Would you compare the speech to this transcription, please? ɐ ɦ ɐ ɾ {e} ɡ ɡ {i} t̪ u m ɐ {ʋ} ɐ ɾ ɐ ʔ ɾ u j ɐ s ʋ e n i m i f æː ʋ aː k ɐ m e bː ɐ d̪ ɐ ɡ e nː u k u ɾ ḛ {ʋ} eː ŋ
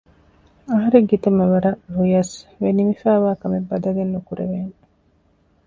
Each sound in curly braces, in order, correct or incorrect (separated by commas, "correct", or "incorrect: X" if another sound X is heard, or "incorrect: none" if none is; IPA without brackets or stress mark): correct, correct, correct, correct